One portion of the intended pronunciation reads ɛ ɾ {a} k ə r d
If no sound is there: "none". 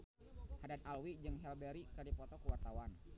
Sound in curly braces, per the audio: i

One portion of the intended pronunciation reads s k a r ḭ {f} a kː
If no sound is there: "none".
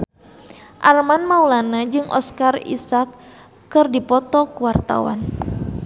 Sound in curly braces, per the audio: s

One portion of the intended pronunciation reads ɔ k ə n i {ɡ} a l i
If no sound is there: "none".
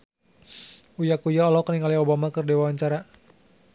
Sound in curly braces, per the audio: ŋ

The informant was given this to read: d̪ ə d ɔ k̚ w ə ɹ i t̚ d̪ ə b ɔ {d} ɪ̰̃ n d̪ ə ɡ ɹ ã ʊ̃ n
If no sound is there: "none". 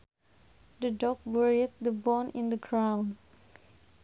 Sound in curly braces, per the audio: n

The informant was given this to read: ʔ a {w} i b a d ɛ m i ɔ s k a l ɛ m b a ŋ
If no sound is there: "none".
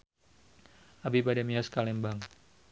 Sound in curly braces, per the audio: b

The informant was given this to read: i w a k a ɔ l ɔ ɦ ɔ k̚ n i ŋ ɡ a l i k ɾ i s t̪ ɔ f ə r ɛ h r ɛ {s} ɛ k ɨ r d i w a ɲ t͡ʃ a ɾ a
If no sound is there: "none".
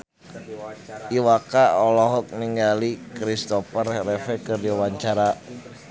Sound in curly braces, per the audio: f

